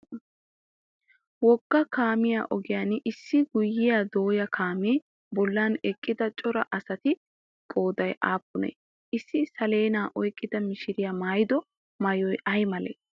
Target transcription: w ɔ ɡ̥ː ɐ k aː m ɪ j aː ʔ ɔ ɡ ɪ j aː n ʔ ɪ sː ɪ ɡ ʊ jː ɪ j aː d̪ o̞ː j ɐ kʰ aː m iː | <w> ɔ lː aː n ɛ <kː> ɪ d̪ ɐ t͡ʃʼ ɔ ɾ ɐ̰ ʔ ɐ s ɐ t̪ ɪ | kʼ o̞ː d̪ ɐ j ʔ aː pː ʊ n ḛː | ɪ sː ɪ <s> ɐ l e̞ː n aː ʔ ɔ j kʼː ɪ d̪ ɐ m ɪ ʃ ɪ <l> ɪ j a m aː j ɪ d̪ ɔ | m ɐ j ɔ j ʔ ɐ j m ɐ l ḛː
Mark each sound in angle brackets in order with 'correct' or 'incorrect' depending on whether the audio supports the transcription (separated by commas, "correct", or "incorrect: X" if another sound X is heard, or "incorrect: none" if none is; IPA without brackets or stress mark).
incorrect: b, incorrect: kʼː, correct, incorrect: ɾ